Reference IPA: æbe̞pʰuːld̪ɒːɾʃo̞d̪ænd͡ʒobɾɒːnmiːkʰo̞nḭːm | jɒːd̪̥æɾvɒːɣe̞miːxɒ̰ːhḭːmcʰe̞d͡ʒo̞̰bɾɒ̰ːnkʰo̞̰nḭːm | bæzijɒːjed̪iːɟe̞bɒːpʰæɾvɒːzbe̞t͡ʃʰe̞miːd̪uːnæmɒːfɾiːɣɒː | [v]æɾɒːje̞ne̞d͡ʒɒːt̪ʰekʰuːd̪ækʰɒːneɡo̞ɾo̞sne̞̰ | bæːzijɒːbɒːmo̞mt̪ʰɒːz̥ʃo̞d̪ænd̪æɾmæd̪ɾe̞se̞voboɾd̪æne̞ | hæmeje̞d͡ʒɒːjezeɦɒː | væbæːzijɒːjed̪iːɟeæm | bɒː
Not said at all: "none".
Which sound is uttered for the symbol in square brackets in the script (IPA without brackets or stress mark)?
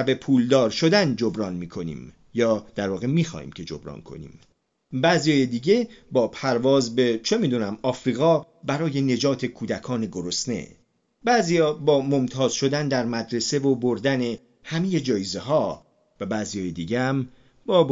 b